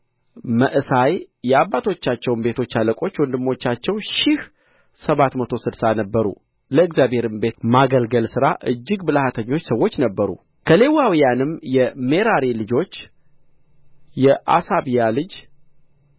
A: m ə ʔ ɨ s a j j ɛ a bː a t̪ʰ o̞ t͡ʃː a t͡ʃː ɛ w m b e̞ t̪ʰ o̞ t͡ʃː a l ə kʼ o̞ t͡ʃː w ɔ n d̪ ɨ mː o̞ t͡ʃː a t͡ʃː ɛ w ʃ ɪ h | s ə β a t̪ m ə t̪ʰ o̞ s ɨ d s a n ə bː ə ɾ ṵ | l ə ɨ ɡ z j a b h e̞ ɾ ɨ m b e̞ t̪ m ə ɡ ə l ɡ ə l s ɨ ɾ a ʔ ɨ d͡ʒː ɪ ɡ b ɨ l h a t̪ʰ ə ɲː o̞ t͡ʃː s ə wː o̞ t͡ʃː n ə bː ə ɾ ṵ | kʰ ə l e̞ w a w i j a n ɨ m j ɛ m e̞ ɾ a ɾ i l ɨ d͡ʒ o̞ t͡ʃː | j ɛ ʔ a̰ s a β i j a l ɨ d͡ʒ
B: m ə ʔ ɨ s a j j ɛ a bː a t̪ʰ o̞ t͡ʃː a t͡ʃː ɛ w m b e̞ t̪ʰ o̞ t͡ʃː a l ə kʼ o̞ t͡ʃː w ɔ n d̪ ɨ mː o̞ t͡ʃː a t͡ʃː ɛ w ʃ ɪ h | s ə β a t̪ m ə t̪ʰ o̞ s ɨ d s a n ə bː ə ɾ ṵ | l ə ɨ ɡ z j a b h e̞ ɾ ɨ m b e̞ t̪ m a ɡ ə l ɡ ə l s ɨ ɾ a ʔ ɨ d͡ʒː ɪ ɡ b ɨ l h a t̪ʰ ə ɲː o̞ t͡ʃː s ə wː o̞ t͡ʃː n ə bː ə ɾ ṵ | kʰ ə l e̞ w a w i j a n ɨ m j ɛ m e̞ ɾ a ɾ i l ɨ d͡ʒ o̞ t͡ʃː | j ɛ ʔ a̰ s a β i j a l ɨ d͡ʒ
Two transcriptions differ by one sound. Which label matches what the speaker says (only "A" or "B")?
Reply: B